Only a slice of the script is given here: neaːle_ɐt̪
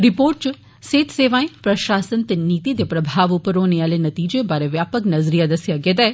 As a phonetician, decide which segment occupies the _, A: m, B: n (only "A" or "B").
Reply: B